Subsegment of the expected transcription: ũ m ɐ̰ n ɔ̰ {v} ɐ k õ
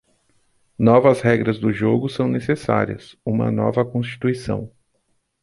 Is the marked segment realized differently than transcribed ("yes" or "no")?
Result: no